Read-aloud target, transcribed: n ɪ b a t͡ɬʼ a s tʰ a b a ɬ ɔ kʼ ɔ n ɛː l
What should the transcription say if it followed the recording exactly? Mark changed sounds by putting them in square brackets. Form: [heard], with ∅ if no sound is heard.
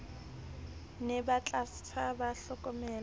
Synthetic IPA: n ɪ b a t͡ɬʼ a s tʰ a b a ɬ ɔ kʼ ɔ [m] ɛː l